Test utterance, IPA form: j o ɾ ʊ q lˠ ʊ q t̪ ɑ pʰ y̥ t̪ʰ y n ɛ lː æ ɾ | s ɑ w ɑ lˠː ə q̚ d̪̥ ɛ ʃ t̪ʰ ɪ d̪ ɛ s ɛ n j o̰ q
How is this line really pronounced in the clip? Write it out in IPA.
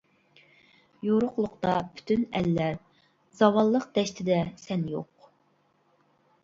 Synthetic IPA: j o ɾ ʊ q lˠ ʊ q t̪ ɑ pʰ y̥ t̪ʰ y n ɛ lː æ ɾ | z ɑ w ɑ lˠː ə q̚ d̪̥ ɛ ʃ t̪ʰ ɪ d̪ ɛ s ɛ n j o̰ q